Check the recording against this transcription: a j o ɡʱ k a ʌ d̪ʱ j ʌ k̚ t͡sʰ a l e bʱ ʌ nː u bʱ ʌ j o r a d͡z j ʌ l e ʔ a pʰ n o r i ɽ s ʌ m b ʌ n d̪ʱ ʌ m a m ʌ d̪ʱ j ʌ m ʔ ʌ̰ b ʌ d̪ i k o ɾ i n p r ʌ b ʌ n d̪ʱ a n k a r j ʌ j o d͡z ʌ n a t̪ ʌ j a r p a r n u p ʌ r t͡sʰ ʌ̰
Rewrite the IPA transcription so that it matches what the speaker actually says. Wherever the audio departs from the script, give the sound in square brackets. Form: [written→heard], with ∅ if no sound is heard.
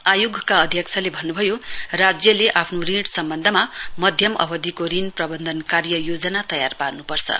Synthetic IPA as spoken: a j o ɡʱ k a ʌ d̪ʱ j ʌ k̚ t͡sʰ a l e bʱ ʌ nː u bʱ ʌ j o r a d͡z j ʌ l e ʔ a pʰ n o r i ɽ s ʌ m b ʌ n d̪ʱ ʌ m a m ʌ d̪ʱ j ʌ m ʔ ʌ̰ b ʌ d̪ i k o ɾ i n p r ʌ b ʌ n d̪ʱ [a→ʌ] n k a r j ʌ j o d͡z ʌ n a t̪ ʌ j a r p a r n u p ʌ r t͡sʰ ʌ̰